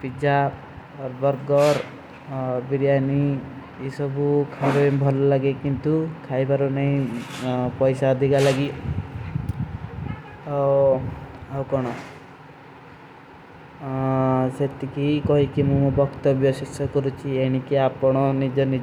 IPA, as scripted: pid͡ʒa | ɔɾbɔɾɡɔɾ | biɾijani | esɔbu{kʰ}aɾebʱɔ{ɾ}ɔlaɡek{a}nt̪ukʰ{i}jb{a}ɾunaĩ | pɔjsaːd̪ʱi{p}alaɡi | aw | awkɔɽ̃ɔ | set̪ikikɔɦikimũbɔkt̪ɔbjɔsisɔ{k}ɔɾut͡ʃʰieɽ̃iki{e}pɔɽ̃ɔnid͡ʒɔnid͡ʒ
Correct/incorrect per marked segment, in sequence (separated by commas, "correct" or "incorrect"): correct, incorrect, incorrect, incorrect, correct, incorrect, correct, incorrect